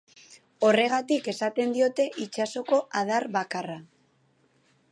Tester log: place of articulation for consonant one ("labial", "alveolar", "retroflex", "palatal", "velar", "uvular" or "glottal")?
alveolar